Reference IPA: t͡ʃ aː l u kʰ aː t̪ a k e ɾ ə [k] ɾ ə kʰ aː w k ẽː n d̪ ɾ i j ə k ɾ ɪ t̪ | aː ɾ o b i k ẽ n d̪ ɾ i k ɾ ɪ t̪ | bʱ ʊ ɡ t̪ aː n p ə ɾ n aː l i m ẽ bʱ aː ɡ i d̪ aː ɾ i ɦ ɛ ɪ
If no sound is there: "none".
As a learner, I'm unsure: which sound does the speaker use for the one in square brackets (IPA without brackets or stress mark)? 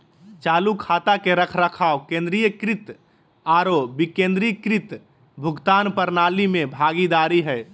kʰ